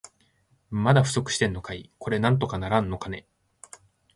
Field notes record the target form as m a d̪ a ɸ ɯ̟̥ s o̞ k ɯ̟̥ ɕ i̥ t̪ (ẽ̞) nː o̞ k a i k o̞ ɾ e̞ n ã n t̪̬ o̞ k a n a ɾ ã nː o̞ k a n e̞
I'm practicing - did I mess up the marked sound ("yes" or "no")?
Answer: yes